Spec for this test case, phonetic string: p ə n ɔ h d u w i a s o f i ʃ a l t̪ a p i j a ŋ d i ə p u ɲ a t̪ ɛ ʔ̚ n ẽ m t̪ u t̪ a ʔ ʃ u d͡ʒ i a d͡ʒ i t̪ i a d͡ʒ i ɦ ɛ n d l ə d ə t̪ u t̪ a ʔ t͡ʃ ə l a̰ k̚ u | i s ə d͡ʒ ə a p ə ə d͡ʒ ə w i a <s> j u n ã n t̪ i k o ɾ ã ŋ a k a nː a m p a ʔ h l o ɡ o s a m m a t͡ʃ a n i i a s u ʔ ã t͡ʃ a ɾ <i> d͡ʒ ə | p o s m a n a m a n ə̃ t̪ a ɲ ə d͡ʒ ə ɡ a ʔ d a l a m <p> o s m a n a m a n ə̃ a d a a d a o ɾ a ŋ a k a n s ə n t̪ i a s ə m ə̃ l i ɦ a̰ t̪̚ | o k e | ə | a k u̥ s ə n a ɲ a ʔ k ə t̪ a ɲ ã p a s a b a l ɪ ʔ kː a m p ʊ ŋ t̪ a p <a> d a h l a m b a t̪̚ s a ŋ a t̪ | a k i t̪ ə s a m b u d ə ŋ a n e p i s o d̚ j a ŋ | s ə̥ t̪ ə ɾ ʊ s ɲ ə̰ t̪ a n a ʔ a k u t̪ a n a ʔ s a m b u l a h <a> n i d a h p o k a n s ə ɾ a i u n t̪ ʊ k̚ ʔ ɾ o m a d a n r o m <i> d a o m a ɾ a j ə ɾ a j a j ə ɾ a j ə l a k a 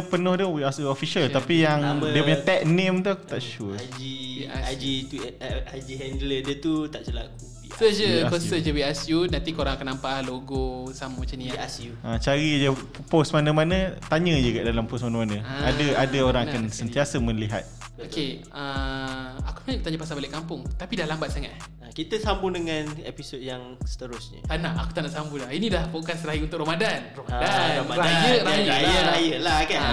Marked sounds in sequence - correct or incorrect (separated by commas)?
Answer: correct, correct, correct, incorrect, incorrect, incorrect